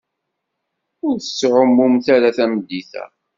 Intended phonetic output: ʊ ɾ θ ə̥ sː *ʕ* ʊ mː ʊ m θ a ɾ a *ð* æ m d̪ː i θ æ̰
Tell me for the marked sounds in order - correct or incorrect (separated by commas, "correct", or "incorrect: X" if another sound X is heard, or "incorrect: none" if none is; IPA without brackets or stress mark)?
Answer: correct, incorrect: θ